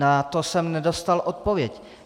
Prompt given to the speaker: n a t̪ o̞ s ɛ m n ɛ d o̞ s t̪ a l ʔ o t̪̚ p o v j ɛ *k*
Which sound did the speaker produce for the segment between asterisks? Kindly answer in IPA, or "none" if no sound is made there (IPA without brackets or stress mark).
c